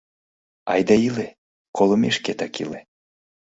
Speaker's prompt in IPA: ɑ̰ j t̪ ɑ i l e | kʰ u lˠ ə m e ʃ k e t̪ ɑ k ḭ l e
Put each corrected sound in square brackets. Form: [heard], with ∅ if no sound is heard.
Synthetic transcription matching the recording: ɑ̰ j [d̪] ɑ i l e | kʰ [o] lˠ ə m e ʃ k e t̪ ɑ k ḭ l e